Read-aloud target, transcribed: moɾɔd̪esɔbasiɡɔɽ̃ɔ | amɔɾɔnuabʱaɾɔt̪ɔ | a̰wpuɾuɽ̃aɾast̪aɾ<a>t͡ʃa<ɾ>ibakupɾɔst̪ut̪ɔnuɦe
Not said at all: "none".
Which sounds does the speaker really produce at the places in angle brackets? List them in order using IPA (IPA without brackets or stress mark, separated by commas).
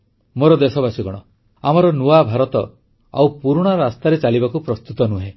e, l